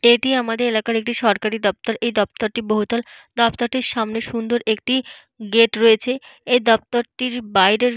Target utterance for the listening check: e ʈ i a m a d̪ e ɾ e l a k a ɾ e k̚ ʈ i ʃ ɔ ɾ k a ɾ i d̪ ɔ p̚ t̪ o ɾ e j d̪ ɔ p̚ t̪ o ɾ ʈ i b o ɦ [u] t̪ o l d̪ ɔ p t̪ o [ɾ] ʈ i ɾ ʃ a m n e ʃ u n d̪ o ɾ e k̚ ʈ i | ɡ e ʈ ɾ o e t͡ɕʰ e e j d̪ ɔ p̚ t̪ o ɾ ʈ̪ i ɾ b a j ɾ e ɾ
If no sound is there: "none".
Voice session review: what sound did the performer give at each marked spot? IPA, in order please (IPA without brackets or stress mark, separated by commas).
u, ɾ